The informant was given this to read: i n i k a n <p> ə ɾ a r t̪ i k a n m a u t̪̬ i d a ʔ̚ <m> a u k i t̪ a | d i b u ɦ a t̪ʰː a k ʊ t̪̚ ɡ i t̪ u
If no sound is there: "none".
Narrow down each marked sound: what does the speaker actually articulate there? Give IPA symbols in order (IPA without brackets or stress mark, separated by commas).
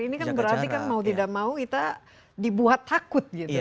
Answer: b, m